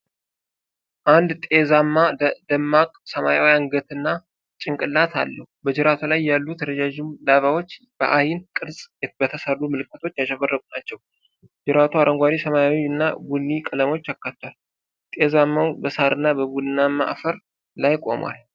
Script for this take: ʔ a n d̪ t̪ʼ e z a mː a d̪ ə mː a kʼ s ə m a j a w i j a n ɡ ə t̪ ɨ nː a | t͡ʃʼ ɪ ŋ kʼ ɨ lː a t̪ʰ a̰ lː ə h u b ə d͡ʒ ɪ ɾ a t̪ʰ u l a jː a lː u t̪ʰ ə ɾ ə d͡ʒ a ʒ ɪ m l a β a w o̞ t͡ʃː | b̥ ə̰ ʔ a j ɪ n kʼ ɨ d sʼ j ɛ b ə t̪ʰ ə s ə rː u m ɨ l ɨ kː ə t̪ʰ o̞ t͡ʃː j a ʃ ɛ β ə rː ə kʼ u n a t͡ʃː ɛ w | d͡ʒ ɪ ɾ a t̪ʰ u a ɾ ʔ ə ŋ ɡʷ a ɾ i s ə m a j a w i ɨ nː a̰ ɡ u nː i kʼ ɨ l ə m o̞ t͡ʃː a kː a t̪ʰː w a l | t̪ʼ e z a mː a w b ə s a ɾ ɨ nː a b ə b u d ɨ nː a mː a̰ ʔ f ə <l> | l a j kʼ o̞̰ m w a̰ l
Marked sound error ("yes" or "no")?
yes